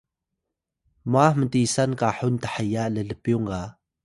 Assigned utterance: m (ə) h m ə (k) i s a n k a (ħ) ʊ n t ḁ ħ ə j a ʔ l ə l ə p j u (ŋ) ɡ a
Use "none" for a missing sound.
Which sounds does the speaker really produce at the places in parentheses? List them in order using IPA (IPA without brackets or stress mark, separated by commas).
a, t, ħ, ŋ